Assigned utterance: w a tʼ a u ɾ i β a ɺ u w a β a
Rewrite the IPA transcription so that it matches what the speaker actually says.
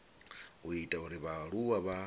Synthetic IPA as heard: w i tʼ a u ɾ i β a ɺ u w a β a